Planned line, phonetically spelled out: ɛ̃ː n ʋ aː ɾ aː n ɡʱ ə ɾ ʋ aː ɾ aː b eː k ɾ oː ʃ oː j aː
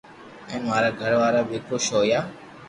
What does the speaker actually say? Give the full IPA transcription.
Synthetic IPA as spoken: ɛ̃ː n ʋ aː ɾ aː ɡʱ ə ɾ ʋ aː ɾ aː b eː k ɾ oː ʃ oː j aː